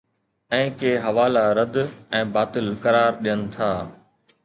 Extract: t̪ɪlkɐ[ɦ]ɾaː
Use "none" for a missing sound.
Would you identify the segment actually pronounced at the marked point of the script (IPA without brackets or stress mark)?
none